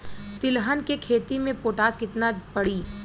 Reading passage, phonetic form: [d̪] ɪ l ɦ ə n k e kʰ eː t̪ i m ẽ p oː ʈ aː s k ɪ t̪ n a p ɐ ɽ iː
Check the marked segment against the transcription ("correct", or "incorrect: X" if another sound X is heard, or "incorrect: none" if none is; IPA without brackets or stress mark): incorrect: t̪